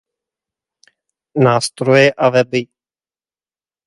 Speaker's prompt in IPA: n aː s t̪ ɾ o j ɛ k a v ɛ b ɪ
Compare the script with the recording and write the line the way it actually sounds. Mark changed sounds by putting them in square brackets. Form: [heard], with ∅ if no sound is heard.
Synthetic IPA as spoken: n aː s t̪ ɾ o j ɛ [ʔ] a v ɛ b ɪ